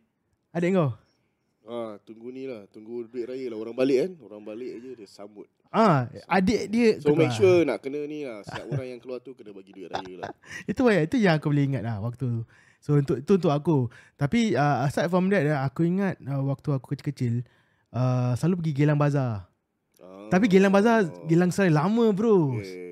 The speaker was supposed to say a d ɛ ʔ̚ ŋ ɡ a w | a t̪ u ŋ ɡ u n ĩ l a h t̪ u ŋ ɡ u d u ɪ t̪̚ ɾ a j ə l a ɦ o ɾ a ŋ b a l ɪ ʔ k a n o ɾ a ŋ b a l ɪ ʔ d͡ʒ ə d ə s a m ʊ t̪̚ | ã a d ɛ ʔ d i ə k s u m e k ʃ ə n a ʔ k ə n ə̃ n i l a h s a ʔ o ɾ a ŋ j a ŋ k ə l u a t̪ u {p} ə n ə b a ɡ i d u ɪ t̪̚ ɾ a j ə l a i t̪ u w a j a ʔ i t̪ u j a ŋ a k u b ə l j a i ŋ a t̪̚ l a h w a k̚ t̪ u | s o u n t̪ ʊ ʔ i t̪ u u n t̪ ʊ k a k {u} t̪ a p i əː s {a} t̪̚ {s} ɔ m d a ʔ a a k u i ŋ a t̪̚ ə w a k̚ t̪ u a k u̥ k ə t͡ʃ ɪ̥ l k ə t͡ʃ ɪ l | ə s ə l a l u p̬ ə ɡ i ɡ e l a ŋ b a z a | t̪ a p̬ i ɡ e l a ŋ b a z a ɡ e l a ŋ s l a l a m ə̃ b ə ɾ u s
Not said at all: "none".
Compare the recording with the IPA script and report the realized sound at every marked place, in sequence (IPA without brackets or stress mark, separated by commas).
k, u, a, f